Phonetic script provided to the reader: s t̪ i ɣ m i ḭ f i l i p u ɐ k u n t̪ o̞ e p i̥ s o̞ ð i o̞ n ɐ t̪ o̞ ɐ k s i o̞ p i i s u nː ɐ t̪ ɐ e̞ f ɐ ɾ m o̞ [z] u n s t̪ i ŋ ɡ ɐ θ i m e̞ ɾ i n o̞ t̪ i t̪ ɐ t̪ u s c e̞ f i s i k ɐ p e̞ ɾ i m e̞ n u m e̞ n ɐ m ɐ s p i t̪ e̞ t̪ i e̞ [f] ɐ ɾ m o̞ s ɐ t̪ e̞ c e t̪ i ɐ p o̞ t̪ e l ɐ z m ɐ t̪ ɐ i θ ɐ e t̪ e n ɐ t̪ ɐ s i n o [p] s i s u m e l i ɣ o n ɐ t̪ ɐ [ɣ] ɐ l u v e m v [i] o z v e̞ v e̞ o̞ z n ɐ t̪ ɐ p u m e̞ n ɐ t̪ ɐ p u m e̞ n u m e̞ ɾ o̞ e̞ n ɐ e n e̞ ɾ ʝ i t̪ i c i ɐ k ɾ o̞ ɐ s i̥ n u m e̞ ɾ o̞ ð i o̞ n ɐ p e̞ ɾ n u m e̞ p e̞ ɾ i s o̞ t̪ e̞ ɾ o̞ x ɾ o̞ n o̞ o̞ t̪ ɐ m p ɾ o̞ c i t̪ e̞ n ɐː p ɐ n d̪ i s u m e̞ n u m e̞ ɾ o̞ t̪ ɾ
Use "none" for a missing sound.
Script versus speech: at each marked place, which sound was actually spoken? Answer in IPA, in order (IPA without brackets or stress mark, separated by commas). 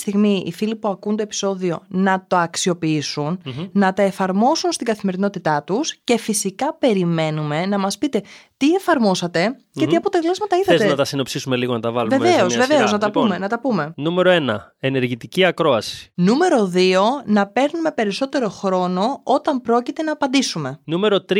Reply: s, f, p, v, e